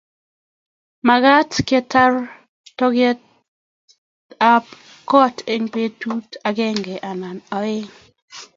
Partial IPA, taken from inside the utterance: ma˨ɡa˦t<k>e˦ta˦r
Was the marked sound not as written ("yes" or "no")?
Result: no